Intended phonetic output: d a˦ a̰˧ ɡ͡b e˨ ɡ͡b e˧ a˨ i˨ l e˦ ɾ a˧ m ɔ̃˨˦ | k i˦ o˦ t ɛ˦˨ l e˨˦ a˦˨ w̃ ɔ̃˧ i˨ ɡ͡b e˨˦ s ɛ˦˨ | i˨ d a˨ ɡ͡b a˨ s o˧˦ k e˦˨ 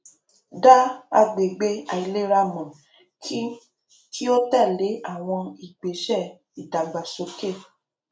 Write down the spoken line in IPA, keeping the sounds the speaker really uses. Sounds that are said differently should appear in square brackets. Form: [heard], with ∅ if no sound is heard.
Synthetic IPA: d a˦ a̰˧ ɡ͡b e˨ ɡ͡b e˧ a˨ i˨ l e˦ ɾ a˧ m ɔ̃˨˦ | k i˦ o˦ t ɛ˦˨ l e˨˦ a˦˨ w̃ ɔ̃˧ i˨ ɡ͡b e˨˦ [ʃ] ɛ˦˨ | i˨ d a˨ ɡ͡b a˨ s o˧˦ k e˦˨